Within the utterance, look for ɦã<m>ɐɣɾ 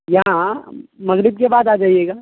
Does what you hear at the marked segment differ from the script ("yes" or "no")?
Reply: no